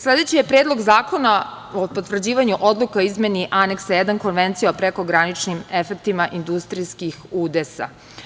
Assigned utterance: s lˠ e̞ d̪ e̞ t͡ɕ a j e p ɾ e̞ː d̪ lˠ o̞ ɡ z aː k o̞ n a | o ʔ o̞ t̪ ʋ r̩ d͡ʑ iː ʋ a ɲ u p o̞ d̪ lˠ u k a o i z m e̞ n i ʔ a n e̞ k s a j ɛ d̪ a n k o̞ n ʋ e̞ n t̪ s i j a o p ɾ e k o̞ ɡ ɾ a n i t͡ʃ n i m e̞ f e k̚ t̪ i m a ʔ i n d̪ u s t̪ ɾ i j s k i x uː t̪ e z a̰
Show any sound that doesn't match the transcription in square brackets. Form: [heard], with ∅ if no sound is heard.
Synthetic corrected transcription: s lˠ e̞ d̪ e̞ t͡ɕ [i] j e p ɾ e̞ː d̪ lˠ o̞ ɡ z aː k o̞ n a | o [p] o̞ t̪ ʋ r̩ d͡ʑ iː ʋ a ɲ u [ʔ] o̞ d̪ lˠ u k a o i z m e̞ n i ʔ a n e̞ k s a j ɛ d̪ a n k o̞ n ʋ e̞ n t̪ s i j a o p ɾ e k o̞ ɡ ɾ a n i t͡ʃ n i m e̞ f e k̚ t̪ i m a ʔ i n d̪ u s t̪ ɾ i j s k i x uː [d̪] e [s] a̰